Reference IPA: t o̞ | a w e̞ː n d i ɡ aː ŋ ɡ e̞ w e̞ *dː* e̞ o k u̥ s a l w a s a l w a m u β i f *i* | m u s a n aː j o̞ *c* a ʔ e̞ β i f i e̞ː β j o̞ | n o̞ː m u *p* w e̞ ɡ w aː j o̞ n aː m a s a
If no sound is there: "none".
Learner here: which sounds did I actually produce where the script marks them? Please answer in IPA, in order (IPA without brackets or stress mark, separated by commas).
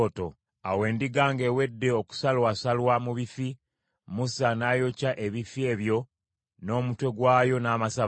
dː, i, c, t